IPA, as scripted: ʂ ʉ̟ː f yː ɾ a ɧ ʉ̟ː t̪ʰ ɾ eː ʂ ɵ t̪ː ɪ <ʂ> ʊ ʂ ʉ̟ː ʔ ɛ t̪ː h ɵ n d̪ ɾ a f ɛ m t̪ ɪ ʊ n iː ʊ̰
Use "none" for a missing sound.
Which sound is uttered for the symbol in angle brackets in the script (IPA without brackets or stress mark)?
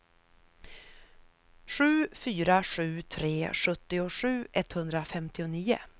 none